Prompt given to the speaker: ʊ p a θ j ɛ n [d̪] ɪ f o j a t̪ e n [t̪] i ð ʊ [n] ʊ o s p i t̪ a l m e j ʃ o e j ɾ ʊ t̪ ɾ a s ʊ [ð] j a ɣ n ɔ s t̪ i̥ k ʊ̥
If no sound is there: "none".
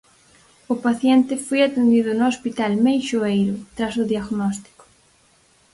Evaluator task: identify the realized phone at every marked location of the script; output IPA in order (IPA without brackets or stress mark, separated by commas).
t̪, d̪, n, ð